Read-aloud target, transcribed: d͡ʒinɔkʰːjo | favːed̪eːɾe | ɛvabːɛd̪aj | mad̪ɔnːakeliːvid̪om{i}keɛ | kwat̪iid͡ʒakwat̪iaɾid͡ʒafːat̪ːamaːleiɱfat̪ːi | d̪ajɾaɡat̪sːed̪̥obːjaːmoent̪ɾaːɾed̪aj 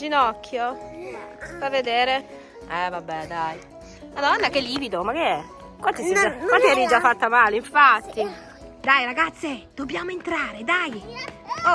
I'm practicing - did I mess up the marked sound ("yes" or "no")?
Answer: yes